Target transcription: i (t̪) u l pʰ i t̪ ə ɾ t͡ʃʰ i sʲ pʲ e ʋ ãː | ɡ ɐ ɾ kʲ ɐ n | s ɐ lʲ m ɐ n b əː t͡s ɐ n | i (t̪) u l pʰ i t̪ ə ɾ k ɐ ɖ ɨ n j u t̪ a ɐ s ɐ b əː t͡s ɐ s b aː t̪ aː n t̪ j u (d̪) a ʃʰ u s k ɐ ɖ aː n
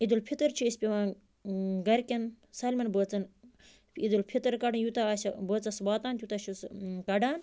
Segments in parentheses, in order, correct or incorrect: incorrect, incorrect, incorrect

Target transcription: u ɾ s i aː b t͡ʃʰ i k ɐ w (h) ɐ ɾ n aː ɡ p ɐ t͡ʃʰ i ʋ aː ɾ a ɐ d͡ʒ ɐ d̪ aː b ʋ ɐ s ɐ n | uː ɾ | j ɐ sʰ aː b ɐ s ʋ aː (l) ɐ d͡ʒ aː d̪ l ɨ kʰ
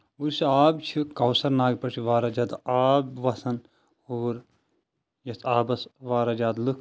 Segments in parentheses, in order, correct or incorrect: incorrect, incorrect

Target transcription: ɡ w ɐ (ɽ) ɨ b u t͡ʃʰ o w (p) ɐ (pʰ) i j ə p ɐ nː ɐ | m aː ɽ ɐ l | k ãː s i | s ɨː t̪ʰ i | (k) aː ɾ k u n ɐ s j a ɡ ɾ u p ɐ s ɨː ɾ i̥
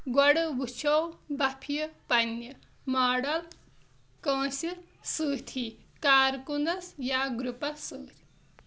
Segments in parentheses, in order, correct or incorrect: correct, incorrect, correct, correct

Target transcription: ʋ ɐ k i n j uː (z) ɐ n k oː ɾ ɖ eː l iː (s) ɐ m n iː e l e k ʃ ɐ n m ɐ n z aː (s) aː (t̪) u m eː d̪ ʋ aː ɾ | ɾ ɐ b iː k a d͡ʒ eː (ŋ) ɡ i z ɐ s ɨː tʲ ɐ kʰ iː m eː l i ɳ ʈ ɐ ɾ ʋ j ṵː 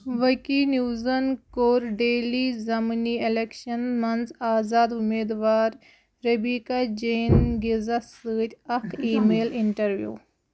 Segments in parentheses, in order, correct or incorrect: correct, incorrect, incorrect, incorrect, incorrect

